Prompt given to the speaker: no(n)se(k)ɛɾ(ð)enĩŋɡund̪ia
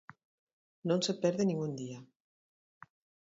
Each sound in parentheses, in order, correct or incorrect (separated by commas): correct, incorrect, correct